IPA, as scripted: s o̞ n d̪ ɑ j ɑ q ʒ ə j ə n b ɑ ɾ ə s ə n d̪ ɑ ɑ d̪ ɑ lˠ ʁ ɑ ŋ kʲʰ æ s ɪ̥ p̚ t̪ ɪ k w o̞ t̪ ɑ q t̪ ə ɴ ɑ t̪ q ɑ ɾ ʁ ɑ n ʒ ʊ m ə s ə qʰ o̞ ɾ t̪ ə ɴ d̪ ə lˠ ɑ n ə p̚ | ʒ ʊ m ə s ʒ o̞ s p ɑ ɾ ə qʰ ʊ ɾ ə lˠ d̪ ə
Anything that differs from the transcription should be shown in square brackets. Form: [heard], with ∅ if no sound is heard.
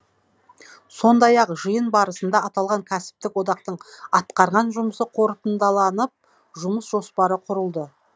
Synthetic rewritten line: s o̞ n d̪ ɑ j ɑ q ʒ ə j ə n b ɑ ɾ ə s ə n d̪ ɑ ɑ [t̪] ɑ lˠ ʁ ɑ ŋ kʲʰ æ s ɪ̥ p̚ t̪ ɪ k w o̞ [d̪] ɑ q t̪ ə ɴ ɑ t̪ q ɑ ɾ ʁ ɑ n ʒ ʊ m ə s ə qʰ o̞ ɾ t̪ ə [n] d̪ [ɑ] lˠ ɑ n ə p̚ | ʒ ʊ m ə s ʒ o̞ s p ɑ ɾ ə qʰ ʊ ɾ ə lˠ d̪ ə